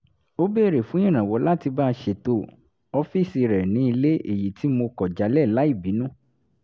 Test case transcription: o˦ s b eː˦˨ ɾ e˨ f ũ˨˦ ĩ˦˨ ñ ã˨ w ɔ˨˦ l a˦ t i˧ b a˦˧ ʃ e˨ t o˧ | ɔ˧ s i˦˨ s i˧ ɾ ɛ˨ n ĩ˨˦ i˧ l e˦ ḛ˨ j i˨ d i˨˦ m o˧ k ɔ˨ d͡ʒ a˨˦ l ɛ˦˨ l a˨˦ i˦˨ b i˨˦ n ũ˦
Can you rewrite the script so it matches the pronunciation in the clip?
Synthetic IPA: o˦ b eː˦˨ ɾ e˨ f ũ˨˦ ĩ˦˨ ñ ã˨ w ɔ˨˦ l a˦ t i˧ b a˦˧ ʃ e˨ t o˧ | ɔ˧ f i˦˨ s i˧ ɾ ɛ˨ n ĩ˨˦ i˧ l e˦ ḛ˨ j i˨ t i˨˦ m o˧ k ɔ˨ d͡ʒ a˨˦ l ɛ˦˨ l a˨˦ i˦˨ b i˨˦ n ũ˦